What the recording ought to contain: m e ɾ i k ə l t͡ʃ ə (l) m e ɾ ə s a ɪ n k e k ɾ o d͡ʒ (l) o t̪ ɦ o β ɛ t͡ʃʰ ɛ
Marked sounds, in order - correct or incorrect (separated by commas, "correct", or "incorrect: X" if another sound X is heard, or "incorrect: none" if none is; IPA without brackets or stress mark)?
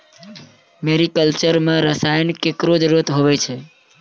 incorrect: ɾ, incorrect: ɾ